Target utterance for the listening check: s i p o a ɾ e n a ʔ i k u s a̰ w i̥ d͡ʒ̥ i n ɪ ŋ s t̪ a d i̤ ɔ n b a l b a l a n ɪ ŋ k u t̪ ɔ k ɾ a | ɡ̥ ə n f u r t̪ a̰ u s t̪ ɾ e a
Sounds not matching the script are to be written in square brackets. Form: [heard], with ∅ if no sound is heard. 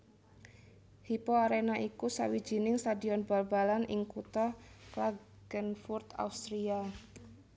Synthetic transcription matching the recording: [h] i p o a ɾ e n a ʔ i k u s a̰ w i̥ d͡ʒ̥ i n ɪ ŋ s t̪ a d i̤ ɔ n b a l b a l a n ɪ ŋ k u t̪ ɔ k [l] a | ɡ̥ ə n f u r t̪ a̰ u s t̪ ɾ [i] a